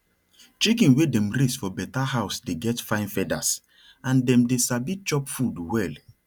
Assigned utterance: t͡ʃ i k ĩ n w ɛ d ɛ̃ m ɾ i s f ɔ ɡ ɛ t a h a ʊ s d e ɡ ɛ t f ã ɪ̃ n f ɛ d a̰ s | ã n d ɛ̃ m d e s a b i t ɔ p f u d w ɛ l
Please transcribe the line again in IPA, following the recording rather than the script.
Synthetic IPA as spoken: t͡ʃ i k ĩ n w e d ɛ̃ m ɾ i s f ɔ b ɛ t a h a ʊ s d e ɡ ɛ t f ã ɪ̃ n f ɛ d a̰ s | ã n d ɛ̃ m d e s a b i t͡ʃ ɔ p f u d w ɛ l